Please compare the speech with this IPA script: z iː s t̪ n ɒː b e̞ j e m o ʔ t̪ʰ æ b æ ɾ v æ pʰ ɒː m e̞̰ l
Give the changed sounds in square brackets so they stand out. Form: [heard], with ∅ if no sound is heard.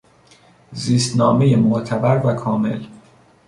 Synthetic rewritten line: z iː s t̪ n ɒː [m] e̞ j e m o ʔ t̪ʰ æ b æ ɾ v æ [kʰ] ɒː m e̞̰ l